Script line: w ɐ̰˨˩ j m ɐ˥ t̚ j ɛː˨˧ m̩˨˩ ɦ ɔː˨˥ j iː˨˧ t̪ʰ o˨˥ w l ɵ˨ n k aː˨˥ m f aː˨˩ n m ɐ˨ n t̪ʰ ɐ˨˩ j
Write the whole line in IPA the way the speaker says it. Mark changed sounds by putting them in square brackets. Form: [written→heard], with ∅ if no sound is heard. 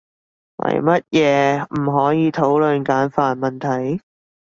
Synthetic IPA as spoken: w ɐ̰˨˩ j m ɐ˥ t̚ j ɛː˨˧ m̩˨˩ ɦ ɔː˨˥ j iː˨˧ t̪ʰ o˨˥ w l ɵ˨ n k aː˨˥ [m→n] f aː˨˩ n m ɐ˨ n t̪ʰ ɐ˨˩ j